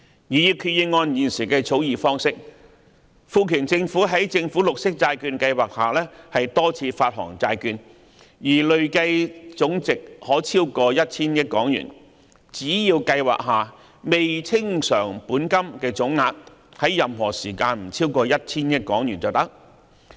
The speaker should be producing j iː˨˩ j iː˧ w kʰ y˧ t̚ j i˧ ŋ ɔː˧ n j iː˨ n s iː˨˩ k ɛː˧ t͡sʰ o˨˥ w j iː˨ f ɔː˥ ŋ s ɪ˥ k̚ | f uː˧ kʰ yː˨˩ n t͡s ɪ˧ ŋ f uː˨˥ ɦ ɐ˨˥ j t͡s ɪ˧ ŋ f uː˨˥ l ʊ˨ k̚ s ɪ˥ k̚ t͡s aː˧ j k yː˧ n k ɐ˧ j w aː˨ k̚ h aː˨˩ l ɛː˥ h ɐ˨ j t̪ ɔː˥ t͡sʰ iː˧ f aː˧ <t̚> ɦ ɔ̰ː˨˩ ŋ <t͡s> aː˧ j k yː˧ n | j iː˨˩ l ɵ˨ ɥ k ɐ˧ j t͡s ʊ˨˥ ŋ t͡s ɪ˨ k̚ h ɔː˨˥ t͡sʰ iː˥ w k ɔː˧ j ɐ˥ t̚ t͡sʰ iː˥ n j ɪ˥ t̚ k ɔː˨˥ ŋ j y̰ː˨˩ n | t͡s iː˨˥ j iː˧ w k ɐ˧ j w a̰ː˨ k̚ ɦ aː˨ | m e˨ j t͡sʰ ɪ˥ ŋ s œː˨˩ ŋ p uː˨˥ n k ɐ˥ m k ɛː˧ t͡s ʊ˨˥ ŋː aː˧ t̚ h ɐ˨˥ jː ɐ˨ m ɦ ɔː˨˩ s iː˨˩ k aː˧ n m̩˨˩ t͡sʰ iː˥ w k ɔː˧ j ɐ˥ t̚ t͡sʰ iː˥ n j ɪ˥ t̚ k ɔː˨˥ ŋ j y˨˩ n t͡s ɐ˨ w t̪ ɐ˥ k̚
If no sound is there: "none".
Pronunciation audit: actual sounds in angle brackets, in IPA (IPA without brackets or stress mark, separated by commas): t̚, t͡s